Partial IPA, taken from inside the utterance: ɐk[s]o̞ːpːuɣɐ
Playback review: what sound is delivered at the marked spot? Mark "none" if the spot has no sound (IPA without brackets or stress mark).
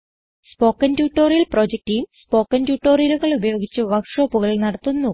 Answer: ʂ